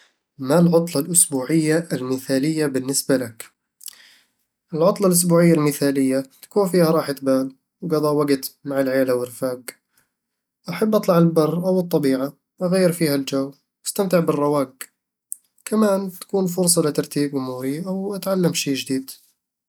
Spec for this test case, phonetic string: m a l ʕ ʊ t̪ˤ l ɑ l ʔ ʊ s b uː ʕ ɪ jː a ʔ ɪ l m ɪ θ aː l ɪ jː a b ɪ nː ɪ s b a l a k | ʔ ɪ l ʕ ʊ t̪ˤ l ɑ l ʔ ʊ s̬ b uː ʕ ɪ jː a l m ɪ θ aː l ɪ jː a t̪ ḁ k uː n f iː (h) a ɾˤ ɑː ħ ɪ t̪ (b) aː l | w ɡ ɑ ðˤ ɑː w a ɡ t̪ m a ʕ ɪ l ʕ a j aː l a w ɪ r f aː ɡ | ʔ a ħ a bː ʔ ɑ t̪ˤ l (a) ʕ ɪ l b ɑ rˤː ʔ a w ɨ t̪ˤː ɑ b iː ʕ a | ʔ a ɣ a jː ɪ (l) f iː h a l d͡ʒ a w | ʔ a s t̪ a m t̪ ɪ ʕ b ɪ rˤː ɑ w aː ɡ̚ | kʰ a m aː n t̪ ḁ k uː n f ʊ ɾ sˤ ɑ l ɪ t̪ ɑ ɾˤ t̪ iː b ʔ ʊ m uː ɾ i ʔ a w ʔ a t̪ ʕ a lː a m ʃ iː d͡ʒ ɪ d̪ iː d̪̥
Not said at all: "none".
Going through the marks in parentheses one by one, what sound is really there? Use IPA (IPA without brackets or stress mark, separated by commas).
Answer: h, b, ɑ, ɾ